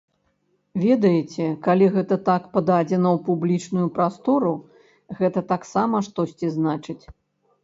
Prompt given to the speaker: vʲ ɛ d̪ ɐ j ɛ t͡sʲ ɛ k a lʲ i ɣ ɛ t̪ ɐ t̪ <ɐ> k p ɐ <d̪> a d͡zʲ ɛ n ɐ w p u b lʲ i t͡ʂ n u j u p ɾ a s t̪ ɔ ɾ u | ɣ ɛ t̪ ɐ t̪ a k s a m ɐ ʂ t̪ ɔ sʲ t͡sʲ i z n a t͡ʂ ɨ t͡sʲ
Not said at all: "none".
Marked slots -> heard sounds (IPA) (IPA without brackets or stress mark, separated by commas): a, d̪